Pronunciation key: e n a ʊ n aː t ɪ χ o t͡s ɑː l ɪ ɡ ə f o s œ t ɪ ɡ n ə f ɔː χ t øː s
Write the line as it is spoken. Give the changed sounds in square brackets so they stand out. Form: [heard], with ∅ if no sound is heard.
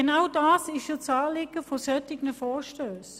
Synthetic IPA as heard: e n a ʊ [d] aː [s] ɪ [ʃ] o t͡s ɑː l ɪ ɡ ə f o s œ t ɪ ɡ n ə f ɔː [ʃ] t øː s